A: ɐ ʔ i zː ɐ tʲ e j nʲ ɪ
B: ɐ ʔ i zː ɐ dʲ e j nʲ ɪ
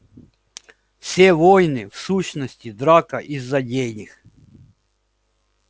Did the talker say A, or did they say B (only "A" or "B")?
B